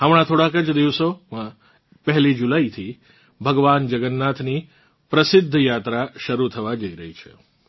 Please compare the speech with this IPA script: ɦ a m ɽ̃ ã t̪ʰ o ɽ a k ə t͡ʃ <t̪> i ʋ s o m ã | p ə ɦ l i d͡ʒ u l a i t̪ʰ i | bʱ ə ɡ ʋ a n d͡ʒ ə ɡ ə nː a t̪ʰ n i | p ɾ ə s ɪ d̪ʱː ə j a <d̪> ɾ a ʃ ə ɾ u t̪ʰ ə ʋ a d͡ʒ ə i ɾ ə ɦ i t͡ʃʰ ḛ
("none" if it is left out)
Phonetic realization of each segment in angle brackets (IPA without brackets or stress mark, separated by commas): d̪, t̪